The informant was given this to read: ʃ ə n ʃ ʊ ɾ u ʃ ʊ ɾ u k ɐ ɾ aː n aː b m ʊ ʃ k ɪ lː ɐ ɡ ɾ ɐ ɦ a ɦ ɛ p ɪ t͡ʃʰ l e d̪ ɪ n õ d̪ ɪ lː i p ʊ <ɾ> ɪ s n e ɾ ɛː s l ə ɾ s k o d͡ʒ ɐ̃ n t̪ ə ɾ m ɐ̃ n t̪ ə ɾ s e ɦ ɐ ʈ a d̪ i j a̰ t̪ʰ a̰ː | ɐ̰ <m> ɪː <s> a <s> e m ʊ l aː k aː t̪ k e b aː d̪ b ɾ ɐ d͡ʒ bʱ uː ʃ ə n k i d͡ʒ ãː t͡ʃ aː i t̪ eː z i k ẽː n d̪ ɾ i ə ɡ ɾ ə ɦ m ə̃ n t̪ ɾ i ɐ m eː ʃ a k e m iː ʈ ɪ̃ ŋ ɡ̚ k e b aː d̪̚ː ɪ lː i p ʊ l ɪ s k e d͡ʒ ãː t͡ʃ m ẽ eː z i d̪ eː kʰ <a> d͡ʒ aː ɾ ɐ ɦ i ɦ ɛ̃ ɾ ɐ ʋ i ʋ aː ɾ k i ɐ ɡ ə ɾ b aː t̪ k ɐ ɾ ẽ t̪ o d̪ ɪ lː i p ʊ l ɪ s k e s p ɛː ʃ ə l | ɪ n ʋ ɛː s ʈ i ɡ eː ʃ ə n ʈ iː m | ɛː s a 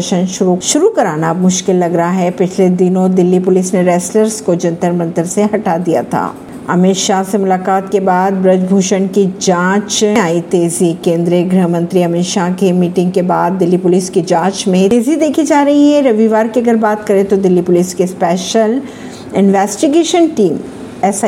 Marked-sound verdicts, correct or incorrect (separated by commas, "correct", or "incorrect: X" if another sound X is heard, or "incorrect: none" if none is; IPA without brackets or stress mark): incorrect: l, correct, incorrect: ʃ, correct, incorrect: i